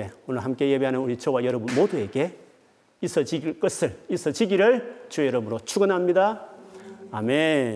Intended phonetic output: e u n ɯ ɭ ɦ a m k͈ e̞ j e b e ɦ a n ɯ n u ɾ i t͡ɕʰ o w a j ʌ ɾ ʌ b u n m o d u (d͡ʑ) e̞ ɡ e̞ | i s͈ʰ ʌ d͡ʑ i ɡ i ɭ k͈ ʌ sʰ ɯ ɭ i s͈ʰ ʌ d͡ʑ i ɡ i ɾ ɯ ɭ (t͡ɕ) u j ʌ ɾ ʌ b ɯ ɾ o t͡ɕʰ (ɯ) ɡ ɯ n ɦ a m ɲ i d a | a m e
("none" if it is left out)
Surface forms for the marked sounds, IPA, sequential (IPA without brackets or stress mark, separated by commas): none, t͡ɕ, u